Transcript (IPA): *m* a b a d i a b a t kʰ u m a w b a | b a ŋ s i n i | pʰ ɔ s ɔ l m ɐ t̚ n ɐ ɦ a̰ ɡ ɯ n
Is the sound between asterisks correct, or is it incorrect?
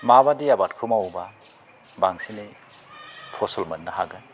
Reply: correct